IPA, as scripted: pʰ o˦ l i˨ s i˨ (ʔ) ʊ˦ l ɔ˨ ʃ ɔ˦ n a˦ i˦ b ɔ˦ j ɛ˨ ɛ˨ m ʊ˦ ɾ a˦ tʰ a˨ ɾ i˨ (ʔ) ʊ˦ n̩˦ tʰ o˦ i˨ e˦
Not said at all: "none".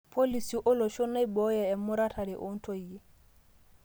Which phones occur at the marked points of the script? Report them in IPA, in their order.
ʔ, ʔ

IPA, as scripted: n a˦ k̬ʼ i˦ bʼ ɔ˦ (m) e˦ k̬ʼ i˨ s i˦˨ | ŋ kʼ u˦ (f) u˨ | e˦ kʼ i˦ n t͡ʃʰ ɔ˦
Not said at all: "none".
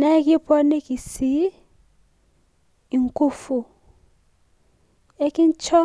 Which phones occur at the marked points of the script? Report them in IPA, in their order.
n, f

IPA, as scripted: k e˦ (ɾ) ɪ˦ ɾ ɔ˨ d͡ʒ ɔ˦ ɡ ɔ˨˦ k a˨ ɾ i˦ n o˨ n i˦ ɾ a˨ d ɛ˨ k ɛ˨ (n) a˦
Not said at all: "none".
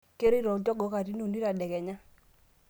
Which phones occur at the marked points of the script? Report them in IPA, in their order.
ɾ, ɲ

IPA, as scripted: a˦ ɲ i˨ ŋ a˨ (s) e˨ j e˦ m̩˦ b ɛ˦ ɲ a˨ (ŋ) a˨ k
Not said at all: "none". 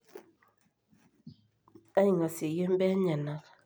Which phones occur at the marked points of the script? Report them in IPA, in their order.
s, n

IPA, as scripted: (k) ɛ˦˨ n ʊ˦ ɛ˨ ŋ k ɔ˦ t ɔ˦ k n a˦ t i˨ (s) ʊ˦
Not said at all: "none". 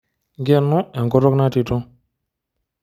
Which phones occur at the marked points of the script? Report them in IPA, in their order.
ɡ, t

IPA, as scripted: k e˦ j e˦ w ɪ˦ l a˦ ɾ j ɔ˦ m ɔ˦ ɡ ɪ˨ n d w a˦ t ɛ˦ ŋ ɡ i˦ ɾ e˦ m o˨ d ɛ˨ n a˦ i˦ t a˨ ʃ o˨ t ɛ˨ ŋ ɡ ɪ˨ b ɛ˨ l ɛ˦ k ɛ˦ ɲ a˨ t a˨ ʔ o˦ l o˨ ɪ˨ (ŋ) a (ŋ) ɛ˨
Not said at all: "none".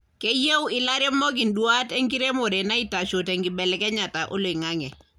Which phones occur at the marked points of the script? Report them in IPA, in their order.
ŋ, ŋ

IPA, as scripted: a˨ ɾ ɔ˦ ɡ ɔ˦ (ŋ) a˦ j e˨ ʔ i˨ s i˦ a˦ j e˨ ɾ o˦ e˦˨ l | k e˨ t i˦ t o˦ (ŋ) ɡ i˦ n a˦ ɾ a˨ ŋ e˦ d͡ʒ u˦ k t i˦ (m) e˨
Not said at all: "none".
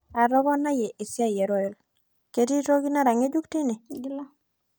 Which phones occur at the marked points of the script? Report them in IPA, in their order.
n, none, n

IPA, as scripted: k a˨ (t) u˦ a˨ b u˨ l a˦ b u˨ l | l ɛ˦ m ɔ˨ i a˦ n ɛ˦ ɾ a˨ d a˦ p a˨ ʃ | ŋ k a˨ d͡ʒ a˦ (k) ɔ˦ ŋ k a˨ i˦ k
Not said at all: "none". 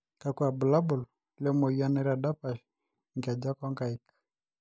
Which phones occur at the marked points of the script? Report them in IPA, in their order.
k, k

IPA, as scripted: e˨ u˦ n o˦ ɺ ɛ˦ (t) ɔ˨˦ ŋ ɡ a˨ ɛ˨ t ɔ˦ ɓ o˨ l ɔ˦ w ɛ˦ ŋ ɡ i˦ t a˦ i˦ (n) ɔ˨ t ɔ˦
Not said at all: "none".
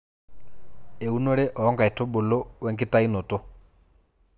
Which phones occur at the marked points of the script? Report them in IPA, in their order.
ʔ, n

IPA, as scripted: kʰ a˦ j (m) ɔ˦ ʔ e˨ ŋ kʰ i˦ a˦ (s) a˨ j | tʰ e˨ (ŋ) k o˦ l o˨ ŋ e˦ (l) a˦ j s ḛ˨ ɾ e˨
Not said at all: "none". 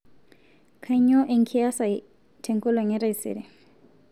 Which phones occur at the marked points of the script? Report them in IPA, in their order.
ɲ, s, ŋ, ɾ

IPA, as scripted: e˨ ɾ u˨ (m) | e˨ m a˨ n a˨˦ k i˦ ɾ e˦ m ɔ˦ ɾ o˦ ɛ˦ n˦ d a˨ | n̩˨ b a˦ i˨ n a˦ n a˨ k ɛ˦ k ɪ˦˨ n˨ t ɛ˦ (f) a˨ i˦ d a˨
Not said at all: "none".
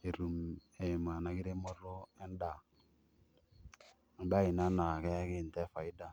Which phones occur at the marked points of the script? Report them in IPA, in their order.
m, f

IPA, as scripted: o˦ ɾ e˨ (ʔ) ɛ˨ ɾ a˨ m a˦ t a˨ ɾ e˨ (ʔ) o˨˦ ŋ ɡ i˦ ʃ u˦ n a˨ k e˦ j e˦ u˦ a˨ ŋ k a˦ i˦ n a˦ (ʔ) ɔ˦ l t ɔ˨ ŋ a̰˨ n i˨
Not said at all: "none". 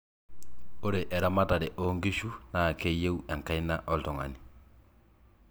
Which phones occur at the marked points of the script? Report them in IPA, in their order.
ʔ, ʔ, ʔ

